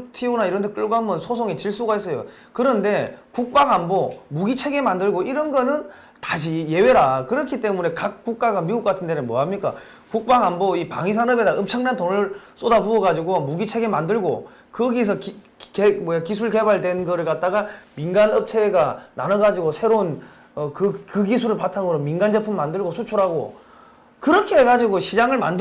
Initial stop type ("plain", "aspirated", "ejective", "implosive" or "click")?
aspirated